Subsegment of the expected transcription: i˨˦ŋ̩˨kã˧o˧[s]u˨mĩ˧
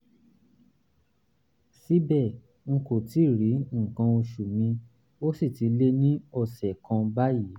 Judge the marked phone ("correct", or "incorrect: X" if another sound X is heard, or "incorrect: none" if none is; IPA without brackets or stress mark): incorrect: ʃ